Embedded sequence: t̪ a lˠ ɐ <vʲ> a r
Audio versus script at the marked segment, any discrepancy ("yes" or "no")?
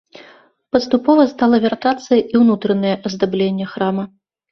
no